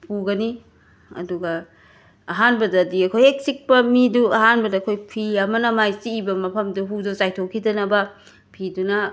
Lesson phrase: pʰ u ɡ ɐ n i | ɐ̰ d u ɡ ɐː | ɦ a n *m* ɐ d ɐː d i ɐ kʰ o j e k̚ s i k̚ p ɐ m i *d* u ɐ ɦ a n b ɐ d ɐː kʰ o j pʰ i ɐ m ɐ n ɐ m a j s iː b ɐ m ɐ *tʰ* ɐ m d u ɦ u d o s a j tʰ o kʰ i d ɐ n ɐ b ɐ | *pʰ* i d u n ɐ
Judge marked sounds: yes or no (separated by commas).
no, yes, no, yes